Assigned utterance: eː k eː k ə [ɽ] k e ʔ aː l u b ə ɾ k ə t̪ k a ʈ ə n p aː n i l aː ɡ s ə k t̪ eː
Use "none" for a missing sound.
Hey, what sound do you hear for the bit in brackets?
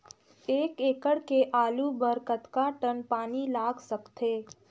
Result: ɽ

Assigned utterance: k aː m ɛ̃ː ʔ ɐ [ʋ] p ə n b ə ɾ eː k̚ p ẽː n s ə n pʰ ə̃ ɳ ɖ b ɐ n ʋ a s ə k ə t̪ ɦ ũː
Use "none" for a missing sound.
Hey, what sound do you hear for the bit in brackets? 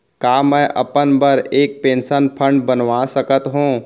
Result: none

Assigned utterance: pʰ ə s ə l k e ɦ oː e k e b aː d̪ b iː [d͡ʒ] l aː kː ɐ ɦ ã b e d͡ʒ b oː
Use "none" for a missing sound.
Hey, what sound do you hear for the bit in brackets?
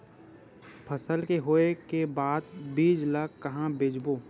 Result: d͡ʒ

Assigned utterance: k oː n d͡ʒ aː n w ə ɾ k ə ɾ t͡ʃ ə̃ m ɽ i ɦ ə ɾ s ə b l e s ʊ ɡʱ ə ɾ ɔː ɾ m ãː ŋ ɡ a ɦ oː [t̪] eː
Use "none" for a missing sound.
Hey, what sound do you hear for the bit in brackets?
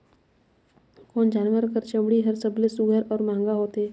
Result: t̪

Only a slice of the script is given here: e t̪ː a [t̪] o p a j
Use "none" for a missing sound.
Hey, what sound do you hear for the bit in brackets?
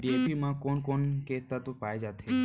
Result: t̪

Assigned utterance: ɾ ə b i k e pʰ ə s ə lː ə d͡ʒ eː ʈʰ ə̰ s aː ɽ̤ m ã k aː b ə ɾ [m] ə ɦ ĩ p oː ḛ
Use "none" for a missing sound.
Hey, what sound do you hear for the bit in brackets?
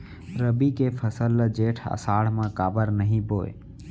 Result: n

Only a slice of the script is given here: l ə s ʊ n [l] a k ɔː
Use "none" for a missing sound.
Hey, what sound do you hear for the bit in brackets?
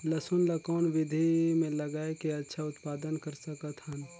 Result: l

